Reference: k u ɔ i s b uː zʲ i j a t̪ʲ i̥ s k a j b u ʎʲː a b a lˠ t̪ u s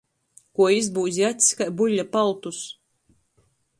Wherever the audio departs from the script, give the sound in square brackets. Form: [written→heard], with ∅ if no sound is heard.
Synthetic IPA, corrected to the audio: k u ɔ i [s→z] b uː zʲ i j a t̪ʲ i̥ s k a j b u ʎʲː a [b→p] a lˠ t̪ u s